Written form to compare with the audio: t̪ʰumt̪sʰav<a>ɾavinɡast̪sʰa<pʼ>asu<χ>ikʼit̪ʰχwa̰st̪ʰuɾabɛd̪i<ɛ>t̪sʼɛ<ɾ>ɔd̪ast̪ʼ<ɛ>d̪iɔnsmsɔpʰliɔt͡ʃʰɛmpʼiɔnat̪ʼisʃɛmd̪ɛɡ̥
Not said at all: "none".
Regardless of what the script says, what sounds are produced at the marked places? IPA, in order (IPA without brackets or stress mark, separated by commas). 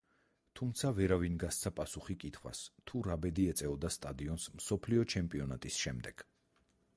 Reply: ɛ, pʼ, χ, ɛ, none, a